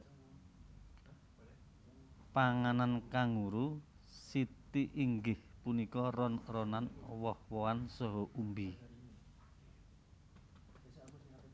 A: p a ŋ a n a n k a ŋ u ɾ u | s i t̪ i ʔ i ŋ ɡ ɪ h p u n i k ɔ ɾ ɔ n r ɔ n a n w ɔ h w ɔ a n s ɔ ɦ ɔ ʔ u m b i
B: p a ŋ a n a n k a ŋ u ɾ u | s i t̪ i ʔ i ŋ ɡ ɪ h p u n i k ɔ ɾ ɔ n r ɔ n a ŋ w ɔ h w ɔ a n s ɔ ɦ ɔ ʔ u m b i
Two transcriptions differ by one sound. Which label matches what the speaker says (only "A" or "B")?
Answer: A